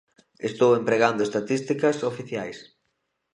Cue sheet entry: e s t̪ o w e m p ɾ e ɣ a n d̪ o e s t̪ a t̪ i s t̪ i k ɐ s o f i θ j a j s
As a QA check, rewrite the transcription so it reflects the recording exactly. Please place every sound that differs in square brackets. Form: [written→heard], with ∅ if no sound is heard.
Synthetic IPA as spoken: e s t̪ o w e m p ɾ e ɣ a n d̪ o e s t̪ a t̪ i s t̪ i k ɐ s o f i θ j a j s